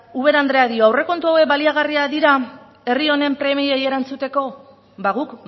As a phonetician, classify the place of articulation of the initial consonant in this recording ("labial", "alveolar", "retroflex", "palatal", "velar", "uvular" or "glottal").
labial